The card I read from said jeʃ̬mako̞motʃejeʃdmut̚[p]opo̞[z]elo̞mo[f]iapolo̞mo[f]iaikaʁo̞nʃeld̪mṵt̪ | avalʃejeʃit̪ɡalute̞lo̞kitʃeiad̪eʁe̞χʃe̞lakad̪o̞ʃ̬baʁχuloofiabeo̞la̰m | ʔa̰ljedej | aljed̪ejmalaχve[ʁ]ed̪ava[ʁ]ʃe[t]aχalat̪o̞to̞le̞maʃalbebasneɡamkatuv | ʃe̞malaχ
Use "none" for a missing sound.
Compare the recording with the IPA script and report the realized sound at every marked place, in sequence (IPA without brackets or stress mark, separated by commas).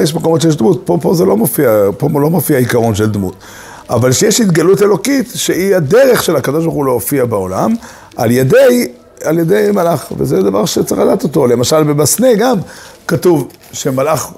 p, z, f, f, z, ʁ, t͡s